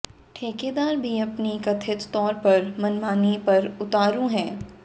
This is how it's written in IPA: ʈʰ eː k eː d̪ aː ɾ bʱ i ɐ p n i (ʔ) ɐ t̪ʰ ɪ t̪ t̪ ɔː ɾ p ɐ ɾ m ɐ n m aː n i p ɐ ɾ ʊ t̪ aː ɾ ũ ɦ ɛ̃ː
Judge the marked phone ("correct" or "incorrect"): incorrect